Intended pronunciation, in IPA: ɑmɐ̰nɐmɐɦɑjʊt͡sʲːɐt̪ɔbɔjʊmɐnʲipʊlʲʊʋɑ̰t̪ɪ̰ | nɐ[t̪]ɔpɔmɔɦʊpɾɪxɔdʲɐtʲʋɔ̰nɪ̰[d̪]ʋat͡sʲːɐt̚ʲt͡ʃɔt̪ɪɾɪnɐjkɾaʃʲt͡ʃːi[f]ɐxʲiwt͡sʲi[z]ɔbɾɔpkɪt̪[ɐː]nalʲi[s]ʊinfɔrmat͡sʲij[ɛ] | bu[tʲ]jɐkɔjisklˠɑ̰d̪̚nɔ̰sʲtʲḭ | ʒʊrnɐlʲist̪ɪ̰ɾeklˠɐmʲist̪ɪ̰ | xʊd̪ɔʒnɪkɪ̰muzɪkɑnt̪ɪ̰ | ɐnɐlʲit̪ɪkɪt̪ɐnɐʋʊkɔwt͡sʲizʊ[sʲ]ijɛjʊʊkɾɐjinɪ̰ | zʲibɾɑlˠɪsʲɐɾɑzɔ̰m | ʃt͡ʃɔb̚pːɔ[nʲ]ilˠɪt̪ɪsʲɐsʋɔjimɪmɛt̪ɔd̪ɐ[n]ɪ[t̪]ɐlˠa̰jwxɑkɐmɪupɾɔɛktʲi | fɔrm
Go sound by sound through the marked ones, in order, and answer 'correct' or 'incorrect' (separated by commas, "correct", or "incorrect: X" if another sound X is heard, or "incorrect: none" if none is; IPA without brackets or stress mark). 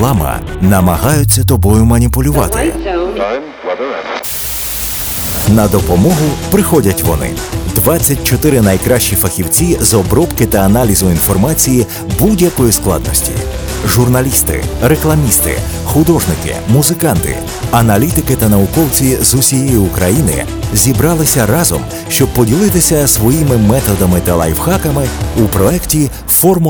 incorrect: d̪, correct, correct, correct, correct, incorrect: z, incorrect: i, incorrect: dʲ, correct, incorrect: dʲ, incorrect: m, correct